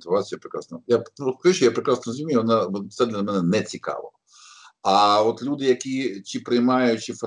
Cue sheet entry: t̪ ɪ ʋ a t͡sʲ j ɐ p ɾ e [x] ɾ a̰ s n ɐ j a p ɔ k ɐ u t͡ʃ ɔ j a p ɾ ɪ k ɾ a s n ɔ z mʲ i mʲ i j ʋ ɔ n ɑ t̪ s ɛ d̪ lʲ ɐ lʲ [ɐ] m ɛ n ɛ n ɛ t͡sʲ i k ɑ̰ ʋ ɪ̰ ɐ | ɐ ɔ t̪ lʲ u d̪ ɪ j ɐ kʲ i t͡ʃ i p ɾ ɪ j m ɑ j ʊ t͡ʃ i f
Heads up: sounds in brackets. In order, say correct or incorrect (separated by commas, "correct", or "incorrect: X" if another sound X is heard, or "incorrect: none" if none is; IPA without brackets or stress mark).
incorrect: k, correct